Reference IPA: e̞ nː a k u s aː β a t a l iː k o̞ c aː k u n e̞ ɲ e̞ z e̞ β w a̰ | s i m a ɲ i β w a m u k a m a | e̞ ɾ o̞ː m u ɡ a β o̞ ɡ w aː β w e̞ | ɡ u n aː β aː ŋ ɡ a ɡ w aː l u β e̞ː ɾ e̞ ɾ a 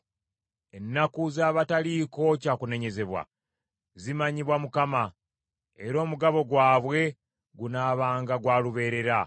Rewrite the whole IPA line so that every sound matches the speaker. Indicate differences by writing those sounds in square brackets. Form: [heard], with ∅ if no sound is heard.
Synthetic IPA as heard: e̞ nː a k u [z] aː β a t a l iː k o̞ c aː k u n e̞ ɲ e̞ z e̞ β w a̰ | [z] i m a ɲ i β w a m u k a m a | e̞ ɾ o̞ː m u ɡ a β o̞ ɡ w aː β w e̞ | ɡ u n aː β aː ŋ ɡ a ɡ w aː l u β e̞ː ɾ e̞ ɾ a